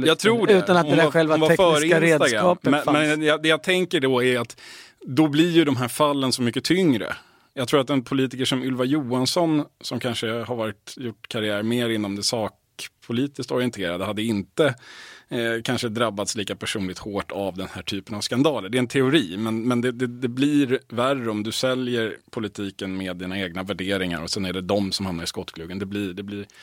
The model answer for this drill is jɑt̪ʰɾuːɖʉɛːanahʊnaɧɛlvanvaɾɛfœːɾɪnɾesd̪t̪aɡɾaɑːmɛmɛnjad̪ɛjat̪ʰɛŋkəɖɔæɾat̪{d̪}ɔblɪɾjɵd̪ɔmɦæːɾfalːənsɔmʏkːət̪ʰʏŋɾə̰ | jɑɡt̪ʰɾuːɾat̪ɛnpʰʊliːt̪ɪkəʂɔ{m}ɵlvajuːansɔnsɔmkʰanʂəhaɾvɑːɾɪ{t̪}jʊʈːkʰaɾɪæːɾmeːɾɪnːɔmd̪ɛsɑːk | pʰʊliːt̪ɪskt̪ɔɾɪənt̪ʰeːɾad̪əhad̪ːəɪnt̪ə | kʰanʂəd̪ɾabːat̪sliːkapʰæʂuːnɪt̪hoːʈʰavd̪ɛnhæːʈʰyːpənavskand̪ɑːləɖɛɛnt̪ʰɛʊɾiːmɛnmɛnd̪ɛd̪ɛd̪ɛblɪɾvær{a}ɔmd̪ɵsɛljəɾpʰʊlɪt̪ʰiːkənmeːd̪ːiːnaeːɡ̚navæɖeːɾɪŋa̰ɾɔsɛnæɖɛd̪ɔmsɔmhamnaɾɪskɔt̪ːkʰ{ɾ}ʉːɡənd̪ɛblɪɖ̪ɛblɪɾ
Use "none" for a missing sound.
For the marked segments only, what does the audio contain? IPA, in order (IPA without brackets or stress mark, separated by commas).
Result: d̪, m, t̪, ə, l